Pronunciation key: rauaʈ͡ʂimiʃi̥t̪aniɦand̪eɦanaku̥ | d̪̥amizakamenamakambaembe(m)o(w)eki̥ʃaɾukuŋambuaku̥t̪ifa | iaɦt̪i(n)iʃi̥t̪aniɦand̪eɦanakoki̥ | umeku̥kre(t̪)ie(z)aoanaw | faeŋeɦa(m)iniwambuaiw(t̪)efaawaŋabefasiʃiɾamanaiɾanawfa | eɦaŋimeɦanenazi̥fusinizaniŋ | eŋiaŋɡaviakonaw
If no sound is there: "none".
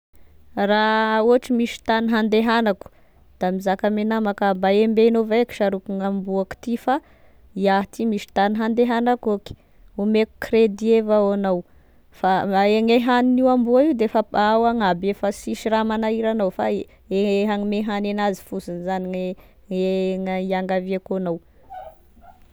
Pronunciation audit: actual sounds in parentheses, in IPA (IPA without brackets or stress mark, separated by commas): n, v, m, d̪, v, n, d̪